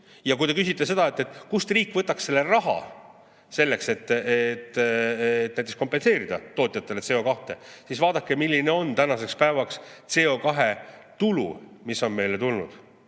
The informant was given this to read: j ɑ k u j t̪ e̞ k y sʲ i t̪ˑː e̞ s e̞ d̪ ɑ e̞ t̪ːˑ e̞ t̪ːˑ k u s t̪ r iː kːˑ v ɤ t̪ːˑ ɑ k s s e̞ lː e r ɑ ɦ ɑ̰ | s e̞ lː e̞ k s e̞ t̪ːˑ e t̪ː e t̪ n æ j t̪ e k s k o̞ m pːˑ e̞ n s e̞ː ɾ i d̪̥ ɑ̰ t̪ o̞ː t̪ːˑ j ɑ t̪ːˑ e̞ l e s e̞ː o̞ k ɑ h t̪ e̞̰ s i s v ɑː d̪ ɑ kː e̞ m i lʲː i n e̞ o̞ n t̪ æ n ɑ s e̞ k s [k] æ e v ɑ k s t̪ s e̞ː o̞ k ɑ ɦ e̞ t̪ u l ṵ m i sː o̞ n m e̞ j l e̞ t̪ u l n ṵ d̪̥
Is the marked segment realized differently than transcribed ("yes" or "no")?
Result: yes